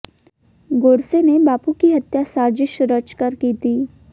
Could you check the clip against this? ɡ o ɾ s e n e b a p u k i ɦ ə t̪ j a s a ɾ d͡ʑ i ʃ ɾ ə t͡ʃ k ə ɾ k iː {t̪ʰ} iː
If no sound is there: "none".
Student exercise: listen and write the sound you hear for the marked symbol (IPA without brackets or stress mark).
t̪